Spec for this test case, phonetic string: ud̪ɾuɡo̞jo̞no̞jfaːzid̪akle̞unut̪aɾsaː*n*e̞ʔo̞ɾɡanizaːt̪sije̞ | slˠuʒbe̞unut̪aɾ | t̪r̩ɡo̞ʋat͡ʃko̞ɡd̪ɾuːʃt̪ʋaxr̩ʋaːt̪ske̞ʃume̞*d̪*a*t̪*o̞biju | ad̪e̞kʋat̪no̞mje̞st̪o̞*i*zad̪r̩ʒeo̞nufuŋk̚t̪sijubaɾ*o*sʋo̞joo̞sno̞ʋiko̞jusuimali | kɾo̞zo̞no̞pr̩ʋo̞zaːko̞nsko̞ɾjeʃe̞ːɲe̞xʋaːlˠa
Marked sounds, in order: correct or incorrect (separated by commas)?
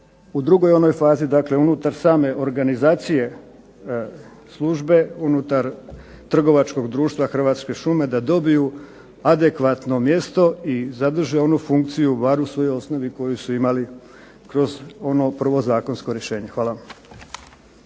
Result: incorrect, correct, incorrect, correct, incorrect